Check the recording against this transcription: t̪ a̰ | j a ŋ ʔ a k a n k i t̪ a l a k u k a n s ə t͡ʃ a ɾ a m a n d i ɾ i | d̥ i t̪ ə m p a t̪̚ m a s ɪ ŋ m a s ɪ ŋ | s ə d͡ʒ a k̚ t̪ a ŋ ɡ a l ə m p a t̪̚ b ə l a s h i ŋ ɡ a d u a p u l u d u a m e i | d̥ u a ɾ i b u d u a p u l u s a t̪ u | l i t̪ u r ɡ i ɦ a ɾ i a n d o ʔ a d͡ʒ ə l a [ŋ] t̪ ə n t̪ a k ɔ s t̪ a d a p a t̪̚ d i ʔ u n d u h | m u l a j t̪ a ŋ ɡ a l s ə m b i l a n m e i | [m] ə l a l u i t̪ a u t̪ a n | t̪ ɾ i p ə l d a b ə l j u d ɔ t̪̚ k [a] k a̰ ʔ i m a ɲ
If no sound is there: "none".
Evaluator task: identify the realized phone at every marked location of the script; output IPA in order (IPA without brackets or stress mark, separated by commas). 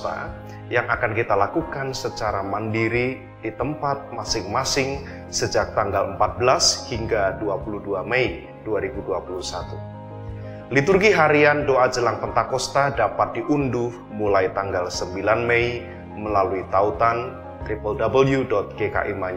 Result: ŋ, m, e